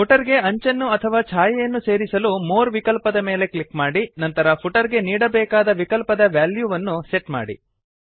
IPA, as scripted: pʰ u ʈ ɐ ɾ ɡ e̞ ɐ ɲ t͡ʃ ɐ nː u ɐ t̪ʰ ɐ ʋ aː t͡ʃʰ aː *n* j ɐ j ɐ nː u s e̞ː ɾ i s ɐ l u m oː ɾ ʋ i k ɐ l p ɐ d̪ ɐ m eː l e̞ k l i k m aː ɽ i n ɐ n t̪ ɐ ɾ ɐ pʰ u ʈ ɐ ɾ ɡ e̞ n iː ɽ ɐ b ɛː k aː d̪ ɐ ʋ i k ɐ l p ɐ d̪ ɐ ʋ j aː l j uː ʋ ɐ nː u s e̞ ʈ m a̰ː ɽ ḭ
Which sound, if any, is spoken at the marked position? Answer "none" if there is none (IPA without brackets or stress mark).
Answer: none